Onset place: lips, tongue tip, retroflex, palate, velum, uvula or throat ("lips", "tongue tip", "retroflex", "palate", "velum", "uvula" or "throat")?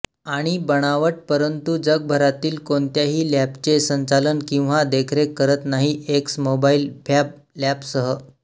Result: retroflex